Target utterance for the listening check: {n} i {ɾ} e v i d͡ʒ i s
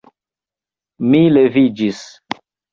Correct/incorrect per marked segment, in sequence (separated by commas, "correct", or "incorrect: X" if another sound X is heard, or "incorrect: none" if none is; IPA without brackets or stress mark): incorrect: m, incorrect: l